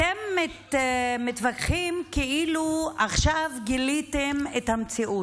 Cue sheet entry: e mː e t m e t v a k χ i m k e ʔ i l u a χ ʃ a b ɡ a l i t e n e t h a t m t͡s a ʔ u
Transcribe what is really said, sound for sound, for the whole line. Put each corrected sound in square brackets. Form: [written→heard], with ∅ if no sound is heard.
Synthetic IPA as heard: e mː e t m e t v a k χ i m k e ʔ i l u a χ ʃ a [b→v] ɡ [a→i] l i t e [n→m] e t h a [t→∅] m t͡s [a→i] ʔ u